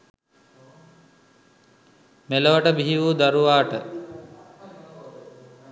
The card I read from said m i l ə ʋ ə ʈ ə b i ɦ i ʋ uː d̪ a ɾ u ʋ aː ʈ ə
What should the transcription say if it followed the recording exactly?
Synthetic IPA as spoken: m e l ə ʋ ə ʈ ə b i ɦ i ʋ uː d̪ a ɾ u ʋ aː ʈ ə